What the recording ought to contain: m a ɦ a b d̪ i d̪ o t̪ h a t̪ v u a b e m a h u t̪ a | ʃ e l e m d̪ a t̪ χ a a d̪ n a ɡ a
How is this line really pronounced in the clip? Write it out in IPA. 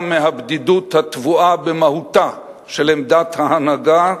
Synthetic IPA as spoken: m e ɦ a b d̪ i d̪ u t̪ h a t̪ v u a b e m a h u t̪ a | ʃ e l e m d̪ a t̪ h a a n a ɡ a